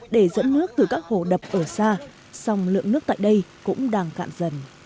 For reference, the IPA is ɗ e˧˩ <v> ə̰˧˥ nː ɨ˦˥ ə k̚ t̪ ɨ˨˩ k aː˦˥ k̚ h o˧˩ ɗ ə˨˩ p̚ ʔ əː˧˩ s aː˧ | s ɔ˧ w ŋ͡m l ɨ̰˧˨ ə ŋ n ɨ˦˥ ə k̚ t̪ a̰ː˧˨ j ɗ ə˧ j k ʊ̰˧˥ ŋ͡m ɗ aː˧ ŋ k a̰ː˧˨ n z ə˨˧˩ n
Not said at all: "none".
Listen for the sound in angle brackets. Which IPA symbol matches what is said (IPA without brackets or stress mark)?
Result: z